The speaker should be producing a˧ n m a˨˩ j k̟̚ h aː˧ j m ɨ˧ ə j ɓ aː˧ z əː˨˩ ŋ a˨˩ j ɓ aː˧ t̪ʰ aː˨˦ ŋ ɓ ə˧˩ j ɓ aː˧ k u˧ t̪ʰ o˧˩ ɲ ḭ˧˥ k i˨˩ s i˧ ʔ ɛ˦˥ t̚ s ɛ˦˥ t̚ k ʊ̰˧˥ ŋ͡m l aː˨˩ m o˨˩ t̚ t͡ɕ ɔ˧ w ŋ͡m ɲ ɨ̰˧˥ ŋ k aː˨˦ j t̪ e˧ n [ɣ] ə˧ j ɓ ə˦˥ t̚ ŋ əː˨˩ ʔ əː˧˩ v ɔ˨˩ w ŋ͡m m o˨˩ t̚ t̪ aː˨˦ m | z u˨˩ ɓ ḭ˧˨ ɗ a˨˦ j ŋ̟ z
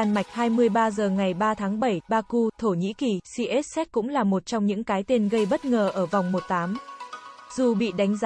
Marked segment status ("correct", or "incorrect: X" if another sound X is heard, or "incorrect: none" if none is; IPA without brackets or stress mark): correct